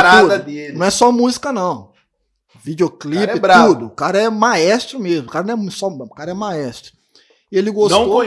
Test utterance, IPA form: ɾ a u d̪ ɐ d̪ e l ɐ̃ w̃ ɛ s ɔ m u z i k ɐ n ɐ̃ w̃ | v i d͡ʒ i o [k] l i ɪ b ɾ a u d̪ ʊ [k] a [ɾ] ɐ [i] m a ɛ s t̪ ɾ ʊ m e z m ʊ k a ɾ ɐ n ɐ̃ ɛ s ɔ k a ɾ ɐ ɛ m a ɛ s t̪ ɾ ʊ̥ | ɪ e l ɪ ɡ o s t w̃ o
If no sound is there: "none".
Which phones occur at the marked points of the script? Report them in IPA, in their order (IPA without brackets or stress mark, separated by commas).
k, k, ɾ, ɛ